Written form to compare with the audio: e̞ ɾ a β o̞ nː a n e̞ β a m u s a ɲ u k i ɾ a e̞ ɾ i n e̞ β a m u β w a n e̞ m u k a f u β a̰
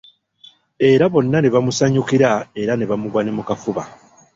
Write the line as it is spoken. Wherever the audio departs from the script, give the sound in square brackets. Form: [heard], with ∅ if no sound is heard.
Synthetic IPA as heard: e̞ ɾ a β o̞ nː a n e̞ β a m u s a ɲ u k i ɾ a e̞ ɾ [a] n e̞ β a m u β w a n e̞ m u k a f u β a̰

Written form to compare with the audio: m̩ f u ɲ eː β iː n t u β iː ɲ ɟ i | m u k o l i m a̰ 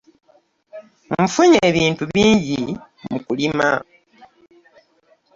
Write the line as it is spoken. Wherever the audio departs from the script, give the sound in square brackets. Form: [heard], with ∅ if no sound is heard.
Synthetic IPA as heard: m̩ f u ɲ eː β iː n t u β iː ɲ ɟ i | m u k [u] l i m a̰

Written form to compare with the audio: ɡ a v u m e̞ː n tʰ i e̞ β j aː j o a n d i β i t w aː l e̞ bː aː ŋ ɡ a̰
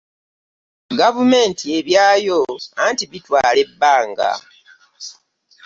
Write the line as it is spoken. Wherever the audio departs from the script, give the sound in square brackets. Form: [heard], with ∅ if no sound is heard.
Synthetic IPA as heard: ɡ a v u m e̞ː n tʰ i e̞ β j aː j o a n [t] i β i t w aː l e̞ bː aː ŋ ɡ a̰

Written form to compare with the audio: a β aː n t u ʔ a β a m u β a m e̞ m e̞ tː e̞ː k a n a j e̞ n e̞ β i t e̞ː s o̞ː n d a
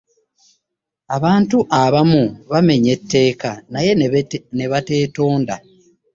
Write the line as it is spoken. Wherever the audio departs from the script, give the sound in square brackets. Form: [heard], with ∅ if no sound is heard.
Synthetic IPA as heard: a β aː n t u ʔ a β a m u β a m e̞ [ɲ] e̞ tː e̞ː k a n a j e̞ n e̞ β [a] t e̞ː [t] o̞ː n d a

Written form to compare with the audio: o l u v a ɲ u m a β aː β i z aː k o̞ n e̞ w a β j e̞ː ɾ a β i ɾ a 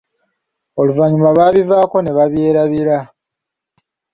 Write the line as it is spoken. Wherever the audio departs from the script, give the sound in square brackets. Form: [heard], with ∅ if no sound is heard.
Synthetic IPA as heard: o l u v a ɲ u m a β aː β i [v] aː k o̞ n e̞ [β] a β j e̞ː ɾ a β i ɾ a

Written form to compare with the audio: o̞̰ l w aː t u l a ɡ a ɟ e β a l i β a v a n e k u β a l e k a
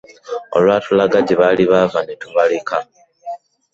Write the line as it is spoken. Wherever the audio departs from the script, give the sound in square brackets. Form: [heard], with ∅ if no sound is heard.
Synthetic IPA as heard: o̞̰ l w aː t u l a ɡ a ɟ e β a l i β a v a n e [t] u β a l e k a

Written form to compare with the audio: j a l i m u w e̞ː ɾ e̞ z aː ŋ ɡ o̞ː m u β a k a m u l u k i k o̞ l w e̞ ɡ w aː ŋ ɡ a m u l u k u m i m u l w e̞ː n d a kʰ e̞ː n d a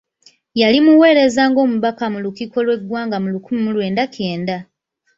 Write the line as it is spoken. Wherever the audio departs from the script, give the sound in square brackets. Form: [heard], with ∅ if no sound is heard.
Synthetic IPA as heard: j a l i m u w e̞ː ɾ e̞ z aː ŋ ɡ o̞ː m u β a k a m u l u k i k o̞ l w e̞ ɡ w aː ŋ ɡ a m u l u k u m i m u l w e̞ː n d a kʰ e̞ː n d a

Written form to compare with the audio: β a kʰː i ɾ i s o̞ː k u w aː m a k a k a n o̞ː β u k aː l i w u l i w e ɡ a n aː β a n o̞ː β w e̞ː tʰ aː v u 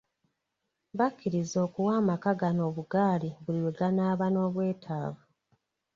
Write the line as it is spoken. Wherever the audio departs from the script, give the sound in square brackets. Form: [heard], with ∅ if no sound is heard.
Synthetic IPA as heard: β a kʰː i ɾ i [z] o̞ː k u w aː m a k a [ɡ] a n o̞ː β u [ɡ] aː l i [β] u l i w e ɡ a n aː β a n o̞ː β w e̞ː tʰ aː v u

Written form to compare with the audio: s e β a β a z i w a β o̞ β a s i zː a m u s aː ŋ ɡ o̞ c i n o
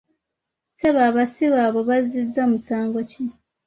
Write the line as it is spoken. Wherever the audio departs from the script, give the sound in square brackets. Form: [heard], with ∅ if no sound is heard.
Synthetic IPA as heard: s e β a β a [s] i [β] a β o̞ β a [z] i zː a m u s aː ŋ ɡ o̞ c i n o

